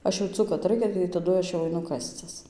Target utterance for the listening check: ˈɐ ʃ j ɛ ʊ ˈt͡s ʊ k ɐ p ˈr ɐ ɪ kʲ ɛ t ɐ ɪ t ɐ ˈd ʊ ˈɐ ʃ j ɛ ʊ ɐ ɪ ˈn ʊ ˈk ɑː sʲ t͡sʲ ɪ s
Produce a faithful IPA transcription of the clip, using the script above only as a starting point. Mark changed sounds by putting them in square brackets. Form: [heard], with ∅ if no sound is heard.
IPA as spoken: ˈɐ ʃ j ɛ ʊ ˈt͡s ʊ k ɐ [t] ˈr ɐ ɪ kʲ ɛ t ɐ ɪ t ɐ ˈd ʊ ˈɐ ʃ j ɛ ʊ ɐ ɪ ˈn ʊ ˈk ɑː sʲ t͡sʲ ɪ s